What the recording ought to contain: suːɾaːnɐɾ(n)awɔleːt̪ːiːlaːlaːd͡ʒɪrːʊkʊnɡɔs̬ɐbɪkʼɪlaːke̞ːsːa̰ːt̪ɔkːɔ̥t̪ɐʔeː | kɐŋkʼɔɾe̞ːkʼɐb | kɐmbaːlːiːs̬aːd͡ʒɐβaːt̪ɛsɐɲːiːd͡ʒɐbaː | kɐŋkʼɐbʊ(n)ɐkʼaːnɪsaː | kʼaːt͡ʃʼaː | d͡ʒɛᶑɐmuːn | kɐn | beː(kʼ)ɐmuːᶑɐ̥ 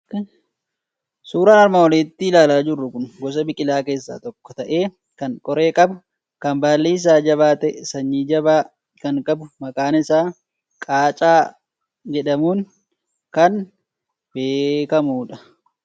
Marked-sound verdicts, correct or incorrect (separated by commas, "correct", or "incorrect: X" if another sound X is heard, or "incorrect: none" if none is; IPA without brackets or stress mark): incorrect: m, incorrect: m, incorrect: k